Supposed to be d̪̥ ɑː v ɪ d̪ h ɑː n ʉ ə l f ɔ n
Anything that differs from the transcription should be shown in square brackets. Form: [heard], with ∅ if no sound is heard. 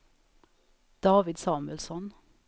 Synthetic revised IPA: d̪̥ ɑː [ʋ] ɪ d̪ [s] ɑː [m] ʉ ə l [s] ɔ n